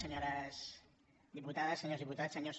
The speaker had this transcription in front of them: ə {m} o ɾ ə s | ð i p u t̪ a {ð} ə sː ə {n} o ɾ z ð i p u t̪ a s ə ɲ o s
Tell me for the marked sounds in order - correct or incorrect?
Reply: incorrect, correct, incorrect

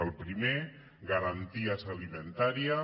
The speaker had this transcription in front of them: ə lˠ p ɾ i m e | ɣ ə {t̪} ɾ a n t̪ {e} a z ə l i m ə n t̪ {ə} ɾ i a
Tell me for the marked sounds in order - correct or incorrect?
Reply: incorrect, incorrect, incorrect

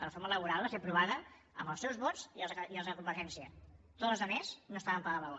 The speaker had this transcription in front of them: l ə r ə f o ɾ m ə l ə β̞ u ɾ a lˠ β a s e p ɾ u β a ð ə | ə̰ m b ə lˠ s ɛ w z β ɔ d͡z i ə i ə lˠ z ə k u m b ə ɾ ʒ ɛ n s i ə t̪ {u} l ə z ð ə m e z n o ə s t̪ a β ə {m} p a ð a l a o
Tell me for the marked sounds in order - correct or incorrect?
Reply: incorrect, correct

